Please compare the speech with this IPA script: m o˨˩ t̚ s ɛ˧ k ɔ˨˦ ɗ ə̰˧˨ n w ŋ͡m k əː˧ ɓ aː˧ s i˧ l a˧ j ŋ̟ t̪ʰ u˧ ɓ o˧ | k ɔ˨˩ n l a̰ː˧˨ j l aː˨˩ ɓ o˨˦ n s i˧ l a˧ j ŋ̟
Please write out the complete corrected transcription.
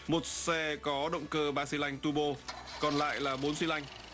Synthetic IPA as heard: m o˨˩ t̚ s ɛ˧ k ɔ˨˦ ɗ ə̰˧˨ w ŋ͡m k əː˧ ɓ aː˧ s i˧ l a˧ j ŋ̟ t̪ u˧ ɓ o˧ | k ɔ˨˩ n l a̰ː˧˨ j l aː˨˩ ɓ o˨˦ n s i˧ l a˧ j ŋ̟